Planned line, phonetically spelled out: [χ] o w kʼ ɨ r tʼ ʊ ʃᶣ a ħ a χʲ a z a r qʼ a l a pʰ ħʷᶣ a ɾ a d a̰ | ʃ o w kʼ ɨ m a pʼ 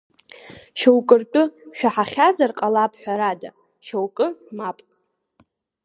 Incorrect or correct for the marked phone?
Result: incorrect: ʃ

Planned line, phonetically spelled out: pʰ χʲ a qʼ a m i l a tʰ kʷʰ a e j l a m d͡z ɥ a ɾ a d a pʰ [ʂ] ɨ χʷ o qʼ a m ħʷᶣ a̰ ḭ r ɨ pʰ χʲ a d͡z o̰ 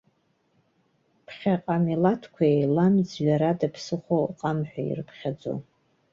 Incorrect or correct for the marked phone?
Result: incorrect: s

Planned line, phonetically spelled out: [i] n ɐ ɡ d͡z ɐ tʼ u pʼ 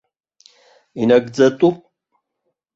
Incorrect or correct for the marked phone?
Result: correct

